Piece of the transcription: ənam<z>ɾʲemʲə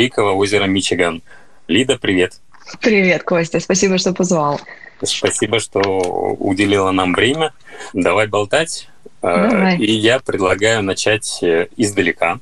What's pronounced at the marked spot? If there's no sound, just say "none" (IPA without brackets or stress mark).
v